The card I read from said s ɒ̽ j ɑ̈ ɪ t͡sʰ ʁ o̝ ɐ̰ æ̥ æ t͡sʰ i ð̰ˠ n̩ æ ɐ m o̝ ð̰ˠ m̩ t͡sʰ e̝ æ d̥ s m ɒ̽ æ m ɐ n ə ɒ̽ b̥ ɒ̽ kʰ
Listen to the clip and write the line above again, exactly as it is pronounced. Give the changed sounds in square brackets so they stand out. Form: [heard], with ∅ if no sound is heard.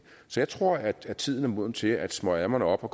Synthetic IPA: s ɒ̽ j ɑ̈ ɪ t͡sʰ ʁ o̝ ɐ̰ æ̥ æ t͡sʰ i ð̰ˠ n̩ æ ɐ m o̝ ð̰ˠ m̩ t͡sʰ e̝ æ d̥ s m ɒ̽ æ m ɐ n ə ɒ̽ b̥ ɒ̽ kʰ